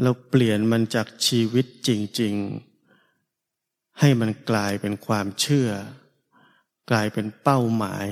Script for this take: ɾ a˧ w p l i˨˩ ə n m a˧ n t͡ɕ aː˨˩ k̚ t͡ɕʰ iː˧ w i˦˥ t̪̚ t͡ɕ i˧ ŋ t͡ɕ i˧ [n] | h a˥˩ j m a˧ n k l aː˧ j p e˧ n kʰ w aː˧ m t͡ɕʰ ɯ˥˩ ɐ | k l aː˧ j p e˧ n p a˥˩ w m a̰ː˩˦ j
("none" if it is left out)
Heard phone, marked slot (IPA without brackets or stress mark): ŋ